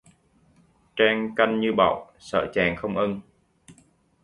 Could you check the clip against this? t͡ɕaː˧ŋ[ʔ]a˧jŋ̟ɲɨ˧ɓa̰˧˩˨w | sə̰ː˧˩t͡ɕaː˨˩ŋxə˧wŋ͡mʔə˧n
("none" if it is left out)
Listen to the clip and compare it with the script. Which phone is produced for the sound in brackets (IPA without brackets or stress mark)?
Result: k